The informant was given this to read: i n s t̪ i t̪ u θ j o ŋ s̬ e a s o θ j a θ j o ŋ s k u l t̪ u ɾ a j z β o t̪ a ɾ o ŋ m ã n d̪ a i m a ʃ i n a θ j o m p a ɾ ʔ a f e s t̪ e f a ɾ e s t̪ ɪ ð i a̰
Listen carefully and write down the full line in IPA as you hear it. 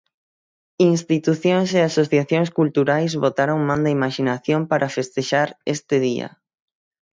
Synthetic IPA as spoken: i n s t̪ i t̪ u θ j o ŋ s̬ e a s o θ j a θ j o ŋ s k u l t̪ u ɾ a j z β o t̪ a ɾ o ŋ m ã n d̪ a i m a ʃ i n a θ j o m p a ɾ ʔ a f e s t̪ e ʃ a ɾ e s t̪ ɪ ð i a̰